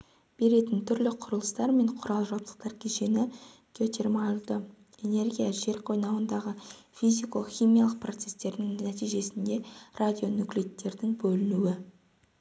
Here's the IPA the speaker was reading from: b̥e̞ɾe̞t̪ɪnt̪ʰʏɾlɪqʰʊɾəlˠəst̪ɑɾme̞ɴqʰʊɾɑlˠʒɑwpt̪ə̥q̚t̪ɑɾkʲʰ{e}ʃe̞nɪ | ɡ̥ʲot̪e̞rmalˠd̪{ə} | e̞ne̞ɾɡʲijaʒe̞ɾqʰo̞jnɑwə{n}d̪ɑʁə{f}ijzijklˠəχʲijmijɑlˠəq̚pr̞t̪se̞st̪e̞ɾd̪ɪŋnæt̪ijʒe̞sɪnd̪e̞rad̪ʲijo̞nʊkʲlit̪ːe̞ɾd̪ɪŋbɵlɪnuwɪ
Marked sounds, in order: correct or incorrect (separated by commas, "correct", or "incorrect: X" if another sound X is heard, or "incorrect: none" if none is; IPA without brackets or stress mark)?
correct, correct, correct, correct